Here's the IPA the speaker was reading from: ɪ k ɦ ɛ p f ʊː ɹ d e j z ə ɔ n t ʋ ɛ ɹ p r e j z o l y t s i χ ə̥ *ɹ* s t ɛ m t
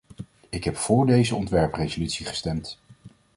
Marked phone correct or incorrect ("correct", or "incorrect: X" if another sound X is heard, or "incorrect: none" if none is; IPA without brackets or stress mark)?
incorrect: none